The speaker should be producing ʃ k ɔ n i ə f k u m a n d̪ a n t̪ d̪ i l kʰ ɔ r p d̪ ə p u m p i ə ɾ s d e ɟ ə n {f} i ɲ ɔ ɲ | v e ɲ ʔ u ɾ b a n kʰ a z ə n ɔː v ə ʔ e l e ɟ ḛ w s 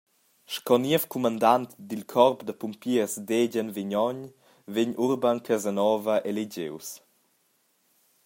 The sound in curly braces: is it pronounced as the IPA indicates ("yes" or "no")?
no